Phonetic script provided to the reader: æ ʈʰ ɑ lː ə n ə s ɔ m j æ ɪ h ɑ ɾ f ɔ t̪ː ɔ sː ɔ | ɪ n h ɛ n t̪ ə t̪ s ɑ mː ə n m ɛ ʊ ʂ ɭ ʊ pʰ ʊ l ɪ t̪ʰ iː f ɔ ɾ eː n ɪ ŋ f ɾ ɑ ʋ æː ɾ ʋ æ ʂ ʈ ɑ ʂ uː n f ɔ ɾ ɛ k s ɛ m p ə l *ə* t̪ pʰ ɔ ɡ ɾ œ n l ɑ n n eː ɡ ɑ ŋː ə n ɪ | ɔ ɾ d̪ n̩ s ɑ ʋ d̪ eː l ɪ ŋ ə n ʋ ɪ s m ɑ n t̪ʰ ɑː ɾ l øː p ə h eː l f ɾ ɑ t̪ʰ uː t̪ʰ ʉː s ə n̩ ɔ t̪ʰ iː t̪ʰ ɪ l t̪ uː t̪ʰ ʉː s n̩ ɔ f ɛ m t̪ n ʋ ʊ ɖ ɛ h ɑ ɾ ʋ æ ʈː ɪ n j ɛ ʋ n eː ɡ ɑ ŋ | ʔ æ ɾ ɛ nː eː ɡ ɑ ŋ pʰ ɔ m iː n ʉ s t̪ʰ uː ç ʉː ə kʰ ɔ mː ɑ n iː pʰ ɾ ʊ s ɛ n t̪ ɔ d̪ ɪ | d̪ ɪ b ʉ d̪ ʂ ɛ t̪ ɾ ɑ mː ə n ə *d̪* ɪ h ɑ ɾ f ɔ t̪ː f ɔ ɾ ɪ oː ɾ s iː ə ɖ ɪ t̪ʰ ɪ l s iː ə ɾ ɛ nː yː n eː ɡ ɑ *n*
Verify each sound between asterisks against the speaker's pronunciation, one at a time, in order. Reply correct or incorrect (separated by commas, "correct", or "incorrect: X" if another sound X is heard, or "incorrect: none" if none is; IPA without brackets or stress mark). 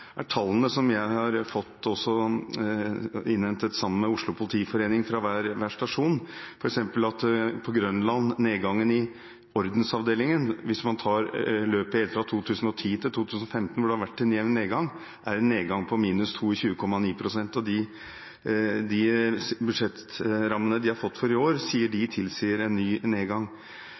incorrect: ɑ, correct, incorrect: ŋ